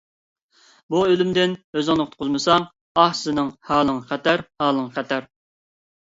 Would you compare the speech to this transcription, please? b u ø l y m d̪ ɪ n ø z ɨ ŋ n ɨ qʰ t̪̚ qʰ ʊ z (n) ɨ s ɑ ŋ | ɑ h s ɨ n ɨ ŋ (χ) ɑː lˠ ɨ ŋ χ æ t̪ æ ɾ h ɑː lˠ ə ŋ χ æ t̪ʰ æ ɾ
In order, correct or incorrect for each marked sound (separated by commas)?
incorrect, incorrect